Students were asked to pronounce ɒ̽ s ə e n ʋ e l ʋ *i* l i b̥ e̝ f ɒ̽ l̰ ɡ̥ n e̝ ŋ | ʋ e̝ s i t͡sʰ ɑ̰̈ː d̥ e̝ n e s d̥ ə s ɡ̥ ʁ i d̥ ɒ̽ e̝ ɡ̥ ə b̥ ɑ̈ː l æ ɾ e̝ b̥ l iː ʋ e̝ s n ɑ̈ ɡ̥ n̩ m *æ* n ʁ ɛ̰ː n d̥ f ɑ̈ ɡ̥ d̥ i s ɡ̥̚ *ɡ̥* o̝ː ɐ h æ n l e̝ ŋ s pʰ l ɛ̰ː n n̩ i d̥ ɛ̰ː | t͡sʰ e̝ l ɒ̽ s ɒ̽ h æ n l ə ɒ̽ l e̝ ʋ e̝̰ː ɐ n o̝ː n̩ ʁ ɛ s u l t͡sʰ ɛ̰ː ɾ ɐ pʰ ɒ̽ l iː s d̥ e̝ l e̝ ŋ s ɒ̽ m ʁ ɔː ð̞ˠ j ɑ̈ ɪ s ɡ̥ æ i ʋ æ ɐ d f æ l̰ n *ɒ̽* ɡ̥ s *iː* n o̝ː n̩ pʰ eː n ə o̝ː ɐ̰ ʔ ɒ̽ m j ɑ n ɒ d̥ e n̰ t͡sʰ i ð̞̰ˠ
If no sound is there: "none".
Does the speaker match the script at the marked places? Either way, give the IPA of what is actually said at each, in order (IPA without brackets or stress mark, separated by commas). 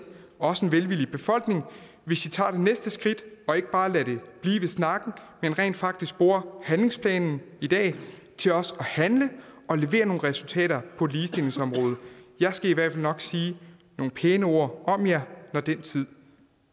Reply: i, e, b̥, ɒ̽, iː